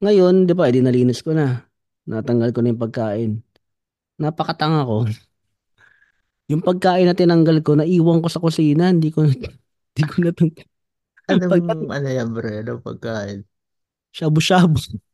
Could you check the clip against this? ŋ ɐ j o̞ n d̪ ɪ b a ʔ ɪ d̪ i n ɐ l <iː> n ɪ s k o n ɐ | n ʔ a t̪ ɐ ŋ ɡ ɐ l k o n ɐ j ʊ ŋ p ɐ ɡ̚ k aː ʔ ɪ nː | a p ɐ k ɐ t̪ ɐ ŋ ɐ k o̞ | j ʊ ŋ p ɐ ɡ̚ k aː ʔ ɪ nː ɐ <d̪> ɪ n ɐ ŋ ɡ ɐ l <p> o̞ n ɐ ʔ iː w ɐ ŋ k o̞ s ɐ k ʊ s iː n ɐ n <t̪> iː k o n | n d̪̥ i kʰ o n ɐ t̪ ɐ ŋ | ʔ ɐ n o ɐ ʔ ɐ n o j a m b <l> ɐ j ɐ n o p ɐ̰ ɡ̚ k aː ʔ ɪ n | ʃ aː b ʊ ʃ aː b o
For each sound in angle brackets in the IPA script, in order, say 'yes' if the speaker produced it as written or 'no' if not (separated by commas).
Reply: yes, no, no, no, no